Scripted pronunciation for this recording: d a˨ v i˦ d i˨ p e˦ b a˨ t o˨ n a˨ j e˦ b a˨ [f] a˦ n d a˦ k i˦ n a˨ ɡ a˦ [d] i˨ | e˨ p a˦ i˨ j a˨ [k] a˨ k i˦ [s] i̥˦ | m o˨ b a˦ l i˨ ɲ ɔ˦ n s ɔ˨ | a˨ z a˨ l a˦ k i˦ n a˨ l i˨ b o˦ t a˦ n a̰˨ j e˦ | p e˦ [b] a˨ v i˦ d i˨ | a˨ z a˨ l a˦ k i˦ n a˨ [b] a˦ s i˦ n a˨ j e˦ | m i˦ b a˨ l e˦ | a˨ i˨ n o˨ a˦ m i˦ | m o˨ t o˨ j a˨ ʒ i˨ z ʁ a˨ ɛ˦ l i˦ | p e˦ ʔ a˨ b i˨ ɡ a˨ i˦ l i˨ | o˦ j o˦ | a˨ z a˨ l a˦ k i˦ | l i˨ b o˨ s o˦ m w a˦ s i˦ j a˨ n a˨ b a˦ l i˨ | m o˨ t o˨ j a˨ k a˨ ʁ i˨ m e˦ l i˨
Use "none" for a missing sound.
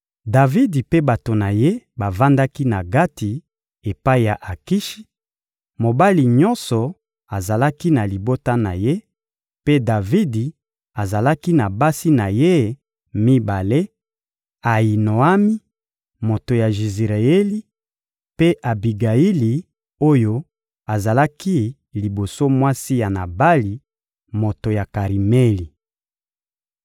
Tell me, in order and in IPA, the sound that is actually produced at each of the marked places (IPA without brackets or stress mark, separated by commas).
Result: v, t, ʔ, ʃ, d, b